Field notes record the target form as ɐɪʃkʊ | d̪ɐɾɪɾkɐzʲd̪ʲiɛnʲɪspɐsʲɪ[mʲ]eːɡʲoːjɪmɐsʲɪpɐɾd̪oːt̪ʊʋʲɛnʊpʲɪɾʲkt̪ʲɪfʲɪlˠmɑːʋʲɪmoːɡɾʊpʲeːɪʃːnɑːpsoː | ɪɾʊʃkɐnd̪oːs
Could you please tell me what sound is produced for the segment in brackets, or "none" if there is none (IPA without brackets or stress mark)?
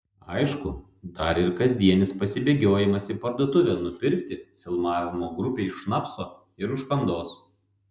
bʲ